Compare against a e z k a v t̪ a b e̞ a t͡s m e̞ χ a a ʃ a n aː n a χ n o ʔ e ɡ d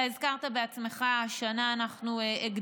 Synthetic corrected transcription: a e z k a ʁ t̪ a b e̞ a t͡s m e̞ χ a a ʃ a n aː n a χ n u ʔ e ɡ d